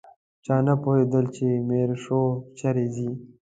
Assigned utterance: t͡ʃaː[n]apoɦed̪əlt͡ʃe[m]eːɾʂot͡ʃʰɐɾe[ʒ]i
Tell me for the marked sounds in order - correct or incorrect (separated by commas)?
correct, correct, incorrect